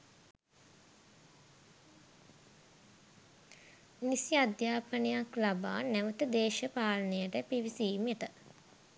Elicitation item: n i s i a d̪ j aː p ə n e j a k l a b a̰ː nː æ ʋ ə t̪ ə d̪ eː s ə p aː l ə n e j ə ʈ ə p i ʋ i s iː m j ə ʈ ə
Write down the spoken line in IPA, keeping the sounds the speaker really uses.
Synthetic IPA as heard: n i s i a d̪ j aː p ə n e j a k l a b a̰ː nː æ ʋ ə t̪ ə d̪ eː ʃ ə p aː l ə n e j ə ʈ ə p i ʋ i s iː m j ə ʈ ə